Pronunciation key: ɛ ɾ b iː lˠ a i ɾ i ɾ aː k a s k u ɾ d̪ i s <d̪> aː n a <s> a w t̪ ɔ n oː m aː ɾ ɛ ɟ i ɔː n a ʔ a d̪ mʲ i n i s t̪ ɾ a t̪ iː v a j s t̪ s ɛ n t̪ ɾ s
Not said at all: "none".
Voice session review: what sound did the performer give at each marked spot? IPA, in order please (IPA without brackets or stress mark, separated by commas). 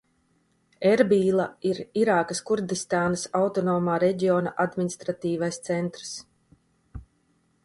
t̪, s